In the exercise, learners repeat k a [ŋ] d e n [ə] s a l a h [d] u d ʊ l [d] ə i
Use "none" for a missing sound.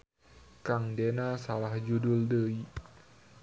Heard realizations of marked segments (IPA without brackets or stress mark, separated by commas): ŋ, a, d͡ʒ, d